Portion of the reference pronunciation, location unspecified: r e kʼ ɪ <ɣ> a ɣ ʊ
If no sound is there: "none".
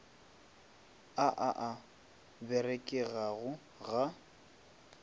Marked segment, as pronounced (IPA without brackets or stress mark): ɣ